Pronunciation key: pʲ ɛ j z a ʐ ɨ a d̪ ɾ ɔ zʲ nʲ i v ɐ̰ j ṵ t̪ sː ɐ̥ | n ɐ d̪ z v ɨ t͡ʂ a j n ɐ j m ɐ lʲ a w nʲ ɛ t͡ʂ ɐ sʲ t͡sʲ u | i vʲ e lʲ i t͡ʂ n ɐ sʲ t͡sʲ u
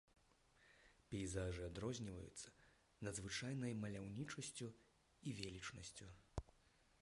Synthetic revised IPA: pʲ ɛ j z a ʐ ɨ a d̪ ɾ ɔ zʲ nʲ i v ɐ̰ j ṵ t̪ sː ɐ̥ | n ɐ d̪ z v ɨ t͡ʂ a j n ɐ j m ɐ lʲ a w nʲ i t͡ʂ ɐ sʲ t͡sʲ u | i vʲ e lʲ i t͡ʂ n ɐ sʲ t͡sʲ u